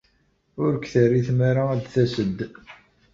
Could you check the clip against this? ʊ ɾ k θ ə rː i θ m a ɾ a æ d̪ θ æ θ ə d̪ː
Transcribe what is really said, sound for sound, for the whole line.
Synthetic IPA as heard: ʊ ɾ k θ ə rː i θ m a ɾ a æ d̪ θ æ s ə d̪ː